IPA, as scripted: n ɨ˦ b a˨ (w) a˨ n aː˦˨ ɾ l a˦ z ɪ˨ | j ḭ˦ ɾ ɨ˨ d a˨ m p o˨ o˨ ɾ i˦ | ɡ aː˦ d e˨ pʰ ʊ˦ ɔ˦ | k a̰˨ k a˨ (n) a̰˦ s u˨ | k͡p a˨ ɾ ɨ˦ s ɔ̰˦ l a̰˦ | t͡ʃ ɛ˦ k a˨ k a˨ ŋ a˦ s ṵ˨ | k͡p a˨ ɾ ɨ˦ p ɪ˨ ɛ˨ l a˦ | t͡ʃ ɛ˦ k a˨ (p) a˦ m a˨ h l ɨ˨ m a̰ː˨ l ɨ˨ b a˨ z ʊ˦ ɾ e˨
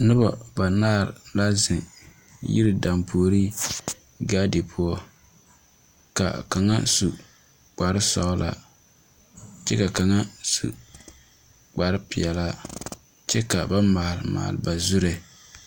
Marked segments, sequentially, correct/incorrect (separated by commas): incorrect, incorrect, incorrect